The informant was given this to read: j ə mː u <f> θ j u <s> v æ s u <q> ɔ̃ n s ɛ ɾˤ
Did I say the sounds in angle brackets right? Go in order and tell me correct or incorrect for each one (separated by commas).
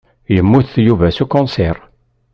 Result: incorrect, incorrect, incorrect